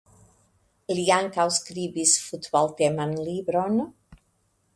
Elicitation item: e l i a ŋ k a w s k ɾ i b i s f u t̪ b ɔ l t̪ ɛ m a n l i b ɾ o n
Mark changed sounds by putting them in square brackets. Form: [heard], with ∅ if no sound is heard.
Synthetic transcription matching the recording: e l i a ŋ k a w s k ɾ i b i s f u t̪ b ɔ l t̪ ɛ m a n l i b ɾ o n